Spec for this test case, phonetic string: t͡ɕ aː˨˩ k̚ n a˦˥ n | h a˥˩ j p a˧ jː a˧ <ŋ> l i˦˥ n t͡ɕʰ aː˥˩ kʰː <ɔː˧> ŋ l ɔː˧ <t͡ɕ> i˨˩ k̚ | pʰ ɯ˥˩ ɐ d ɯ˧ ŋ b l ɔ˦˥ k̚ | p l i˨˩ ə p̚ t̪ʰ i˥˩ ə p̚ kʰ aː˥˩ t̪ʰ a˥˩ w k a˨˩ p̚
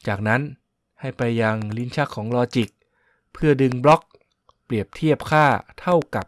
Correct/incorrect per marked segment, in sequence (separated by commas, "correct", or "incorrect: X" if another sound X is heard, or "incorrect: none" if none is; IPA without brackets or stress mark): correct, incorrect: ɔː˩˦, correct